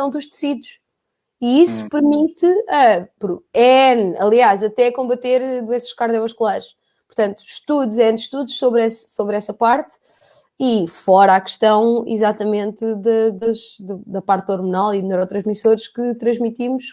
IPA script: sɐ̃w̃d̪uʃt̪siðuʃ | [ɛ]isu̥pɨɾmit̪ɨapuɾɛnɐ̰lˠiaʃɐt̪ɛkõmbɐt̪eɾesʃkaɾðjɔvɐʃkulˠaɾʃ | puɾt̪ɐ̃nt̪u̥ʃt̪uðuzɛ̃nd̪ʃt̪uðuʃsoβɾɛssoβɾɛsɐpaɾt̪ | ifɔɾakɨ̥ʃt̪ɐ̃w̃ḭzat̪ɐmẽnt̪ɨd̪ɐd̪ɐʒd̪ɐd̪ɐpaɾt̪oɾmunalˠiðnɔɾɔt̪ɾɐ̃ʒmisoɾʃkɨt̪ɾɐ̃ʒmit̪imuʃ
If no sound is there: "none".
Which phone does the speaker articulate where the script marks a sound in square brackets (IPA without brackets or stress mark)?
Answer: i